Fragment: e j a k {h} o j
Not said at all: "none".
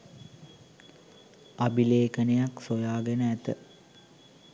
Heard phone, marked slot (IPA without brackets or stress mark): s